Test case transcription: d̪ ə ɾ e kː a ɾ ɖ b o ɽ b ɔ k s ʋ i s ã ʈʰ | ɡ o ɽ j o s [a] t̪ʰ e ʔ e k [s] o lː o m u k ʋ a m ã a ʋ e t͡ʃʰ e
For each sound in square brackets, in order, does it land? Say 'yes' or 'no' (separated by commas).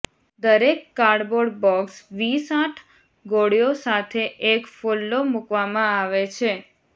yes, no